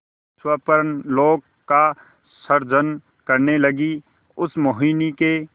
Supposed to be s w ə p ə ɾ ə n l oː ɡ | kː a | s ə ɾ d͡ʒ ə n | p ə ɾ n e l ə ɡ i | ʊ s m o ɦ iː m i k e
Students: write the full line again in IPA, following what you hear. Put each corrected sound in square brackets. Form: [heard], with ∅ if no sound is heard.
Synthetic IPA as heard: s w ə p ə ɾ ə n l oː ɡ | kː a | s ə ɾ d͡ʒ ə n | [k] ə ɾ n e l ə ɡ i | ʊ s m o ɦ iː [n] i k e